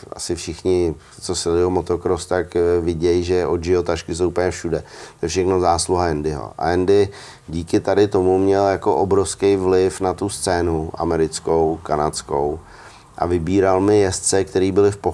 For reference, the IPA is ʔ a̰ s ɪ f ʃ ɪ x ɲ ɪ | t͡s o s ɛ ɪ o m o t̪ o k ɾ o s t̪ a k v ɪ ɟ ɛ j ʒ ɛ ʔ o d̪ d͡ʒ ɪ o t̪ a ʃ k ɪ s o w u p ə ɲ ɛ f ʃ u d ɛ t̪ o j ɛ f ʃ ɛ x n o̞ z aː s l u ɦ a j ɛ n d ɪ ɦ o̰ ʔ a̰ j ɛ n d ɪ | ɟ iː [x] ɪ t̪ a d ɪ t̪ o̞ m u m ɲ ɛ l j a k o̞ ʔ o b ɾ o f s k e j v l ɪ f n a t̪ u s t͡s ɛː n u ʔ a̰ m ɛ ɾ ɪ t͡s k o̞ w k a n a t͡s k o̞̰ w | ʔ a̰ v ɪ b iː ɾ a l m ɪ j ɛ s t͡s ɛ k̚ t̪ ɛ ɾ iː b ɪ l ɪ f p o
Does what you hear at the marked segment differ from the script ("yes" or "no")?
yes